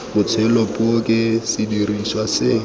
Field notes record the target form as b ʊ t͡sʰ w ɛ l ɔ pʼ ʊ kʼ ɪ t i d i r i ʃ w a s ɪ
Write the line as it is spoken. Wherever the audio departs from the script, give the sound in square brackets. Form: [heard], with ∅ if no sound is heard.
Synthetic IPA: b ʊ t͡sʰ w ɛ l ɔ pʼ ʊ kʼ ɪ [s] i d i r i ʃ w a s ɪ